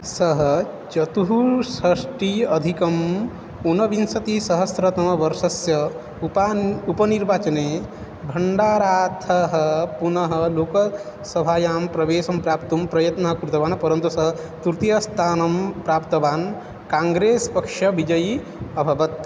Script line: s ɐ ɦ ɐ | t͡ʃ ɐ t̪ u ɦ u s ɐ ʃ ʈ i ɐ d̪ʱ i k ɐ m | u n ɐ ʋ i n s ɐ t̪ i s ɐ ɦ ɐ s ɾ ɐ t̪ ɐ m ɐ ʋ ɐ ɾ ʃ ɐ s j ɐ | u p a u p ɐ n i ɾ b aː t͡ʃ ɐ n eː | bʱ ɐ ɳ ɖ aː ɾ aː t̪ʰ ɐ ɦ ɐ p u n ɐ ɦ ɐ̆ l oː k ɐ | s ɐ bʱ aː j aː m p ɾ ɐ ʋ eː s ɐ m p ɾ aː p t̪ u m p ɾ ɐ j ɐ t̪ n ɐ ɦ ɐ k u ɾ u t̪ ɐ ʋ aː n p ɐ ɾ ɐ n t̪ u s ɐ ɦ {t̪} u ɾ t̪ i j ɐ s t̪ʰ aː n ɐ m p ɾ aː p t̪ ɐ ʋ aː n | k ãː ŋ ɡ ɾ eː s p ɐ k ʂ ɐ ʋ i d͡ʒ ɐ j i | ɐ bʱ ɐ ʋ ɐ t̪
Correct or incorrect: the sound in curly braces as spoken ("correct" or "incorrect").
correct